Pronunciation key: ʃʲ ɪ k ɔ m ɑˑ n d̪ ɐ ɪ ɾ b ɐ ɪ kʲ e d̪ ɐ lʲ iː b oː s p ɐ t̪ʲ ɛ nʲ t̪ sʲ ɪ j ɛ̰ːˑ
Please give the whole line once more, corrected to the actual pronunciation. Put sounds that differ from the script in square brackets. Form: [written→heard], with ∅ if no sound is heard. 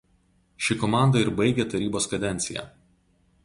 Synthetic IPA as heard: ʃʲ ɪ k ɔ m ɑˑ n d̪ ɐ ɪ ɾ b ɐ ɪ [kʲ→ɡʲ] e [d̪→t̪] ɐ [lʲ→ɾʲ] iː b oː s [p→k] ɐ [t̪ʲ→d̪ʲ] ɛ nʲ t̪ sʲ ɪ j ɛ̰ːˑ